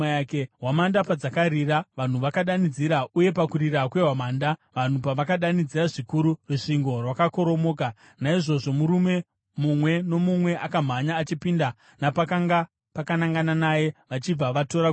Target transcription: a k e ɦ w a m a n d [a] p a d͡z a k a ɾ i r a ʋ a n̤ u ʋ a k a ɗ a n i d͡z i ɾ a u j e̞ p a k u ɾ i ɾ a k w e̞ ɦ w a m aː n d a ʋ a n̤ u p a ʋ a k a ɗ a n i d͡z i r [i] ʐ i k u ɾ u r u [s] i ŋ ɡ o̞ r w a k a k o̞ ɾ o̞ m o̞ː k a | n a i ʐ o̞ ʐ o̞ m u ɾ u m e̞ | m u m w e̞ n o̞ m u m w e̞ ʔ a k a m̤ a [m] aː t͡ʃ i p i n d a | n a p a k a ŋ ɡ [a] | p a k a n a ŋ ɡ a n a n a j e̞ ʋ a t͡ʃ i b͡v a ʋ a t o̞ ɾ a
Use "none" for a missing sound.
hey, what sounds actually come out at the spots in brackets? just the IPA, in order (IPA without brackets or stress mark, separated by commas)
a, a, ʂ, ɲ, a